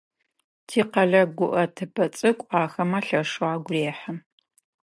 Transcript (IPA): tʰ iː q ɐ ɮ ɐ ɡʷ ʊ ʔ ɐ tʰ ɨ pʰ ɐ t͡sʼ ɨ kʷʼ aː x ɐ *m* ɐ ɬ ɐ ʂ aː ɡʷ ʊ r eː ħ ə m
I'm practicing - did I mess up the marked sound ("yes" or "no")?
no